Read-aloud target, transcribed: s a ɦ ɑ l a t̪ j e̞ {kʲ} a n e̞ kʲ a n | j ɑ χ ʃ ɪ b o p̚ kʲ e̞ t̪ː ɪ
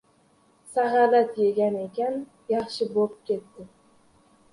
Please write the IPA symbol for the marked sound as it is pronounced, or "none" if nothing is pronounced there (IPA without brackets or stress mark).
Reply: ɡʲ